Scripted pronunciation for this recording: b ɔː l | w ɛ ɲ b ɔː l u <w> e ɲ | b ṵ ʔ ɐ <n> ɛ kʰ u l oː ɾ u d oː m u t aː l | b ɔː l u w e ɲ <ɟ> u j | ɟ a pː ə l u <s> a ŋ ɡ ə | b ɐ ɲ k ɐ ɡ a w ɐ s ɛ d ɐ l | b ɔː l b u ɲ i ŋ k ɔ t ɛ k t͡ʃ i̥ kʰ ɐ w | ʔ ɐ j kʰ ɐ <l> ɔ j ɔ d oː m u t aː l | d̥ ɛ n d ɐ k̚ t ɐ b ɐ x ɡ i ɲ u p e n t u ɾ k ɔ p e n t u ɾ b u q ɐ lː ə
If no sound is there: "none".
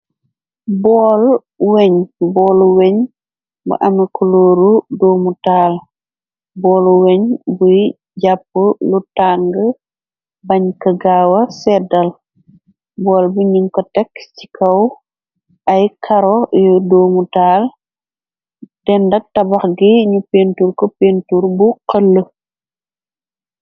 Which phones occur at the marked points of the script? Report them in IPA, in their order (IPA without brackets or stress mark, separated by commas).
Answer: w, m, b, t, ɾ